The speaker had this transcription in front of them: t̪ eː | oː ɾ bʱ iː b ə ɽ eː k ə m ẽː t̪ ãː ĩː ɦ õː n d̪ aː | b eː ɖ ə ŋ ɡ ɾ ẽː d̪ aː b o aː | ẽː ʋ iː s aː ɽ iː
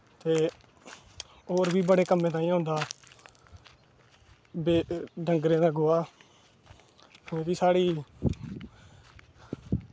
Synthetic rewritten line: t̪ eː | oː ɾ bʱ iː b ə ɽ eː k ə m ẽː t̪ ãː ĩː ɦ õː n d̪ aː | b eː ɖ ə ŋ ɡ ɾ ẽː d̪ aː ɡ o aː | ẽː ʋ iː s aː ɽ iː

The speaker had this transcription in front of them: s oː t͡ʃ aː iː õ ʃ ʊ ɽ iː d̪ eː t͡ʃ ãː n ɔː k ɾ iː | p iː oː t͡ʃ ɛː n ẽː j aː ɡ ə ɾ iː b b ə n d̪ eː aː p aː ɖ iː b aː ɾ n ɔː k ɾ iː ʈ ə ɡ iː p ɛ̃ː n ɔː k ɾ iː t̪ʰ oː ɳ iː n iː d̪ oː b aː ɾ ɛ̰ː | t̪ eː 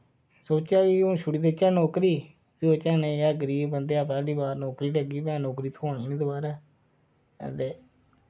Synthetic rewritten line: s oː t͡ʃ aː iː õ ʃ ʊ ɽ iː d̪ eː t͡ʃ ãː n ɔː k ɾ iː | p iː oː t͡ʃ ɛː n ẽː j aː ɡ ə ɾ iː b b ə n d̪ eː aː p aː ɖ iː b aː ɾ n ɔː k ɾ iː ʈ ə ɡ iː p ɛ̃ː n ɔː k ɾ iː t̪ʰ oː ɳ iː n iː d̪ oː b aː ɾ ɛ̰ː | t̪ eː

